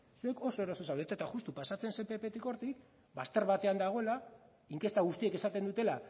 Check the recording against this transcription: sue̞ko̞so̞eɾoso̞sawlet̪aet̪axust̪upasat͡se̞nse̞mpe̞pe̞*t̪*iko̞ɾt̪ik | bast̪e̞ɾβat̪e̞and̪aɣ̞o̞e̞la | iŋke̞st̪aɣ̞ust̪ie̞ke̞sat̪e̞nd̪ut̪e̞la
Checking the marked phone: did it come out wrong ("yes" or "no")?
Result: no